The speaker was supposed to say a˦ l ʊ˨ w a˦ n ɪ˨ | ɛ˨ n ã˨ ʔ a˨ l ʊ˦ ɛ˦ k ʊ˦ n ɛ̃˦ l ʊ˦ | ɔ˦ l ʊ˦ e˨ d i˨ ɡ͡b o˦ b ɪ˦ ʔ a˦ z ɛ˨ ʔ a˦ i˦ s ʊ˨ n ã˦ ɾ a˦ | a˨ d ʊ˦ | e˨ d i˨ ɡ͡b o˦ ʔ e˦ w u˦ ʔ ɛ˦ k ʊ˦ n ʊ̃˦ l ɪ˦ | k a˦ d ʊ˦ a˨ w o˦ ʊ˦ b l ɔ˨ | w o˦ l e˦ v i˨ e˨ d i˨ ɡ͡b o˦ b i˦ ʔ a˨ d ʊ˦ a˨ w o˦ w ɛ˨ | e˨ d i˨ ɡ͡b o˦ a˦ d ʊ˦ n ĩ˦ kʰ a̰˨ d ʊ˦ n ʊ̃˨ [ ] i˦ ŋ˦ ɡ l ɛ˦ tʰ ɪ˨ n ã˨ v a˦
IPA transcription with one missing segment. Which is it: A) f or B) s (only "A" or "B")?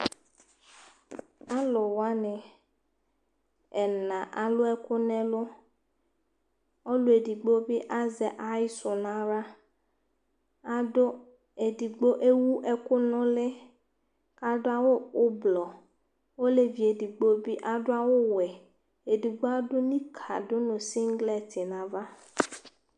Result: B